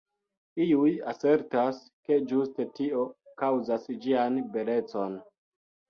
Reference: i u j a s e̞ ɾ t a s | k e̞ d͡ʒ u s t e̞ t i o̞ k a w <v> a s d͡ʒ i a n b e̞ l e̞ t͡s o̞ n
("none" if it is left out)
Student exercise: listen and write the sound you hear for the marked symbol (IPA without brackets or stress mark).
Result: z